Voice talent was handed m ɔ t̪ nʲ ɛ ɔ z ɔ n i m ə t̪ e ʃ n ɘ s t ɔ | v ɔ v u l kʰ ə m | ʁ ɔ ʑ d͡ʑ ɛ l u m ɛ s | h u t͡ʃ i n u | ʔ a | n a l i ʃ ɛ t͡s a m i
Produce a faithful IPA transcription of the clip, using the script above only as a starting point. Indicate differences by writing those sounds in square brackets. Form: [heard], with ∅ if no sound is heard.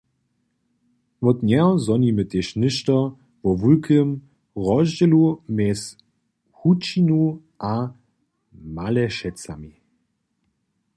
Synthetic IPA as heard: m ɔ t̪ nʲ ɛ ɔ z ɔ n i m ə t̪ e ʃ n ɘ [ʃ] t ɔ | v ɔ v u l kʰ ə m | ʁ ɔ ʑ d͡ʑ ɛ l u m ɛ s | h u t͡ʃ i n u | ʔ a | [m] a l [ɛ] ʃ ɛ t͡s a m i